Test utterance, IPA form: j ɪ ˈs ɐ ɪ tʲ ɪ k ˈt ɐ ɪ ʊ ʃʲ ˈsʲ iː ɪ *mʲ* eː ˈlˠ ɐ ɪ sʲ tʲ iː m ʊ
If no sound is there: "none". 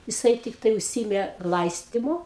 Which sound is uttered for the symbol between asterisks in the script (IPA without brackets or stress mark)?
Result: mʲ